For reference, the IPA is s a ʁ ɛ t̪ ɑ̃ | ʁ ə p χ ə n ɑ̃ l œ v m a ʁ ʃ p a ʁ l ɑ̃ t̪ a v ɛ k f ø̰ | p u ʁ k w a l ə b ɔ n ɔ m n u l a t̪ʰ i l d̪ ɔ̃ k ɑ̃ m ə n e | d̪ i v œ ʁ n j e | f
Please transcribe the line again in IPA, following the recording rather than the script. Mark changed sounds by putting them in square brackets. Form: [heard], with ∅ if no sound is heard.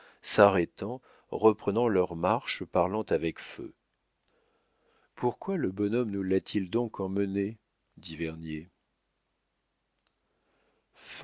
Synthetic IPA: s a ʁ ɛ t̪ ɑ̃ | ʁ ə p χ ə n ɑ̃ l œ [ʁ] m a ʁ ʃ p a ʁ l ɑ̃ t̪ a v ɛ k f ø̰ | p u ʁ k w a l ə b ɔ n ɔ m n u l a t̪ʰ i l d̪ ɔ̃ k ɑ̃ m ə n e | d̪ i v [ɛ] ʁ n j e | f